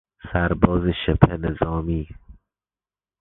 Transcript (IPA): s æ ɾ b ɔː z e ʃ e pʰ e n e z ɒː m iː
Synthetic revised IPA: s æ ɾ b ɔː z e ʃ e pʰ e n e z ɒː m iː